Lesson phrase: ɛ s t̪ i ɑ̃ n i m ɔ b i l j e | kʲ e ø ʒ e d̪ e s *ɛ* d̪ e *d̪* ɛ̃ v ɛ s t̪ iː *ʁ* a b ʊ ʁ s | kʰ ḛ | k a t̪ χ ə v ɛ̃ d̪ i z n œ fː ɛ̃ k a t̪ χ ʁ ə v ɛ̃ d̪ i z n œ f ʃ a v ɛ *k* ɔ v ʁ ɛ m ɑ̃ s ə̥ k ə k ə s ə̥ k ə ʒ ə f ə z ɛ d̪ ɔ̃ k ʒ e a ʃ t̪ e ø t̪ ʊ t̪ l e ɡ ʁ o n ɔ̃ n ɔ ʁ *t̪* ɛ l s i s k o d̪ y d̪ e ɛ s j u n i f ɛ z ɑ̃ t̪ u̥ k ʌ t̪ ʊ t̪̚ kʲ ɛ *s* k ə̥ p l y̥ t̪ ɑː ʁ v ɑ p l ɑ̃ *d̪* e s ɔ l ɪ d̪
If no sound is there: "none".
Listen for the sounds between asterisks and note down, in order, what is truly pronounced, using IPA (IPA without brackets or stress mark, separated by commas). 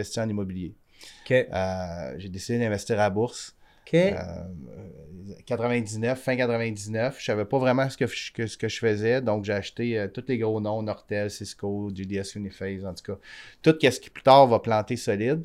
i, d̪, ʁ, p, t̪, s, t̪